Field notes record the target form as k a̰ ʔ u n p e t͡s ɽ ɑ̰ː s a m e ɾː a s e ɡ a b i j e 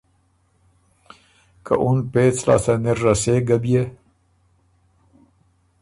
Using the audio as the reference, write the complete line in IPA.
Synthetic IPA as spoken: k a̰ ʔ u n p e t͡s l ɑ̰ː s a n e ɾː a s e ɡ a b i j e